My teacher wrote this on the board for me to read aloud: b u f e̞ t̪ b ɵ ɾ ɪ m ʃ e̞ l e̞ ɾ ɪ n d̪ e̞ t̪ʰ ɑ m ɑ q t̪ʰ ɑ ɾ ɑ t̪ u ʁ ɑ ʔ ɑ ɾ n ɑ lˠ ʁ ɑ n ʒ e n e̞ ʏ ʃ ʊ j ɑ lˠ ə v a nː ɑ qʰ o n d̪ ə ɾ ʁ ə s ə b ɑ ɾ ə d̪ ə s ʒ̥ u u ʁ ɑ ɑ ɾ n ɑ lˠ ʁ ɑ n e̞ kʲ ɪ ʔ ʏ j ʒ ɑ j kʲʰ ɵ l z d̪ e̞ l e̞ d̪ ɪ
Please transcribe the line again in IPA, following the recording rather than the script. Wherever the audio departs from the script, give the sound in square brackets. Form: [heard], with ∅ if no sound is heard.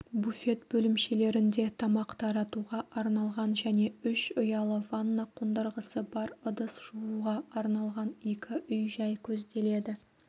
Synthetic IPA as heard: b u f e̞ t̪ b ɵ [l] ɪ m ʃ e̞ l e̞ ɾ ɪ n d̪ e̞ t̪ʰ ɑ m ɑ q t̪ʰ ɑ ɾ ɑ t̪ u ʁ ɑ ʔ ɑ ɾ n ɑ lˠ ʁ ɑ n ʒ [æ] n e̞ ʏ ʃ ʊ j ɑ lˠ ə v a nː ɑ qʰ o n d̪ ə ɾ ʁ ə s ə b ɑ ɾ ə d̪ ə s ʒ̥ u u ʁ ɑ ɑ ɾ n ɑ lˠ ʁ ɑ n e̞ kʲ ɪ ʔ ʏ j ʒ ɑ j kʲʰ ɵ [∅] z d̪ e̞ l e̞ d̪ ɪ